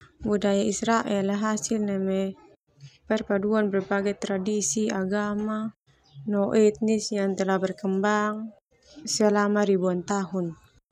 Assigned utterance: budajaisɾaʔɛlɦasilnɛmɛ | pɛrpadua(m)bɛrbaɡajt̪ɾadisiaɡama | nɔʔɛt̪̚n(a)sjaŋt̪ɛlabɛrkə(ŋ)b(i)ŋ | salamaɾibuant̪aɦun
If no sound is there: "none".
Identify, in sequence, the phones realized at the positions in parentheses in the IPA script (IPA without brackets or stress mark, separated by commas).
n, i, m, a